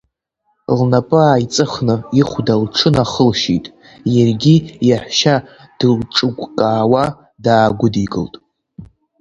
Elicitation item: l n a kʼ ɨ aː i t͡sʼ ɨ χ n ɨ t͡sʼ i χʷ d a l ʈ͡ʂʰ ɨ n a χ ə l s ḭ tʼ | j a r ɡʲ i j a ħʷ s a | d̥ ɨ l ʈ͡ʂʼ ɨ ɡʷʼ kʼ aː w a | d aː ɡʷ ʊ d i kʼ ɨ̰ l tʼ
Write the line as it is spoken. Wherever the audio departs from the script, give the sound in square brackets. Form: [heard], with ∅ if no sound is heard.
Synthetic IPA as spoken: l n a [pʼ] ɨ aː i t͡sʼ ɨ χ n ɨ [∅] i χʷ d a l ʈ͡ʂʰ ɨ n a χ ə l [ʃ] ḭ tʼ | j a r ɡʲ i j a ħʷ [ʃ] a | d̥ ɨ l ʈ͡ʂʼ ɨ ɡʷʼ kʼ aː w a | d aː ɡʷ ʊ d i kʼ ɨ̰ l tʼ